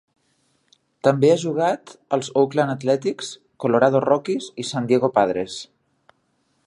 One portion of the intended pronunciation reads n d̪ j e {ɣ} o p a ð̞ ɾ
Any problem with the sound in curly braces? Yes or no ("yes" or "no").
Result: no